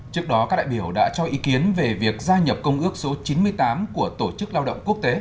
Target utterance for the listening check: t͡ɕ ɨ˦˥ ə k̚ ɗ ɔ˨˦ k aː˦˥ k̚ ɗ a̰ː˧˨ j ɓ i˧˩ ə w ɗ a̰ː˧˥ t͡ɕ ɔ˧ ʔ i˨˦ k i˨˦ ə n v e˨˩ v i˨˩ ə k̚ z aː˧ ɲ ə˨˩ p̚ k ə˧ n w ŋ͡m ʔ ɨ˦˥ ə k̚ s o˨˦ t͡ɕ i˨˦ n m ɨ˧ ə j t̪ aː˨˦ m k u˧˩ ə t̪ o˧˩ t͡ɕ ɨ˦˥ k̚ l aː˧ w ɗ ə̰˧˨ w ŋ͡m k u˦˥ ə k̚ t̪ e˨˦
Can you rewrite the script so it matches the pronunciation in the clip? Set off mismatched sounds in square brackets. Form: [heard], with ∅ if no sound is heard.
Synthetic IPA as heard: t͡ɕ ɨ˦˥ ə k̚ ɗ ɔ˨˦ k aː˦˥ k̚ ɗ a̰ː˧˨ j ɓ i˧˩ ə w ɗ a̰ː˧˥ t͡ɕ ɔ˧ ʔ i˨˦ k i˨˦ ə n v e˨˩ v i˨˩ ə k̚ z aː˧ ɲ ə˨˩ p̚ k ə˧ [∅] w ŋ͡m ʔ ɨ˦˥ ə k̚ s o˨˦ t͡ɕ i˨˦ n m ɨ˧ ə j t̪ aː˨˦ m k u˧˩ ə t̪ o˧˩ t͡ɕ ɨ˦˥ k̚ l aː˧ w ɗ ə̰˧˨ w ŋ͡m k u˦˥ ə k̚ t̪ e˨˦